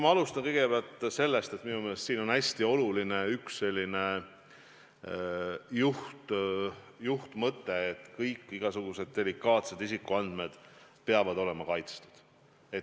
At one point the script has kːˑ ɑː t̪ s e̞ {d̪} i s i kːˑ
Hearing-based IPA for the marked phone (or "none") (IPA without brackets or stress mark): d̪